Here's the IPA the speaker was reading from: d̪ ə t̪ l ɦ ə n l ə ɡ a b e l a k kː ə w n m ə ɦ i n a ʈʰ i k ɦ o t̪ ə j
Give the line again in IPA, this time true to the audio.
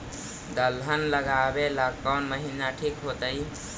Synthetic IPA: d̪ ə l ɦ ə n l ə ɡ a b e l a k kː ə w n m ə ɦ i n a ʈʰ i k ɦ o t̪ ə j